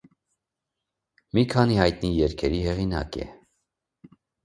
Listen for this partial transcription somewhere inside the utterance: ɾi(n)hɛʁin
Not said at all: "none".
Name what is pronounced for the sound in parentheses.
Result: none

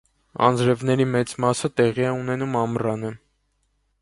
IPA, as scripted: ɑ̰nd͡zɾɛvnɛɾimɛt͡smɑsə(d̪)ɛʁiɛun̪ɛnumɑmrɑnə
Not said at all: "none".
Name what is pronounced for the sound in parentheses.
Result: t̪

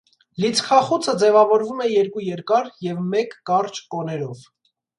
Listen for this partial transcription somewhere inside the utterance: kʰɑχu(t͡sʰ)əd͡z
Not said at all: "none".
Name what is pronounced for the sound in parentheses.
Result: t͡sʰ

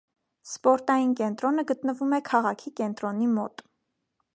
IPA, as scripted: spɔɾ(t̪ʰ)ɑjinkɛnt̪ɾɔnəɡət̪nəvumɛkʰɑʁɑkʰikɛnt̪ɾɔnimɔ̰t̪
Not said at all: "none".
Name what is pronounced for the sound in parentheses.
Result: t̪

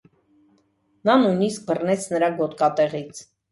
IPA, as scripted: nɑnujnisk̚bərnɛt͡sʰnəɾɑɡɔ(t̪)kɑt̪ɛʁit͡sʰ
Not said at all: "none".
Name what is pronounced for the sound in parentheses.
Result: t̪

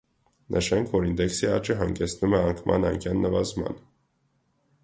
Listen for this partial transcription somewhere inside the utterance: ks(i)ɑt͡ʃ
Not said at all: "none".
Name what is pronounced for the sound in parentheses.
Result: i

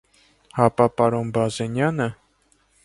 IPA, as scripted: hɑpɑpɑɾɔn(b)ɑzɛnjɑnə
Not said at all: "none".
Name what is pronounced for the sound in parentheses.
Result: b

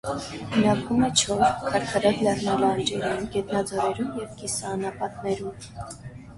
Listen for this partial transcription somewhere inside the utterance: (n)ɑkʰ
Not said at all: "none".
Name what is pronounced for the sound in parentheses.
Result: n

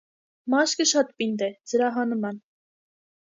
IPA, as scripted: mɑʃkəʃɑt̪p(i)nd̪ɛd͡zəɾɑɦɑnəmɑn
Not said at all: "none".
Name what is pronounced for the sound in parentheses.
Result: i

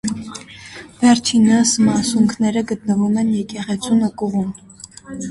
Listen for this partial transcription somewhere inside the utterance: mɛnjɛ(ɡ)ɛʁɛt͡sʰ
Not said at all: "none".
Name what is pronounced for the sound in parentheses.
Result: k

